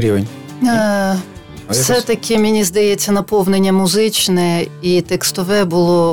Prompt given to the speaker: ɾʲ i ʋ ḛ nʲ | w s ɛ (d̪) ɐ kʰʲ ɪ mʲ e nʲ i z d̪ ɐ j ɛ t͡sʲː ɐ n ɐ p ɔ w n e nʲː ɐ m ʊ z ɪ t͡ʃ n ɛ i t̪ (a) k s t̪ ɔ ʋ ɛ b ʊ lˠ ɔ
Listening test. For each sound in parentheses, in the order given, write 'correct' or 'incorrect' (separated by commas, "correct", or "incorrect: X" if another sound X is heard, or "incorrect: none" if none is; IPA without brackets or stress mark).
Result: incorrect: t̪, incorrect: ɛ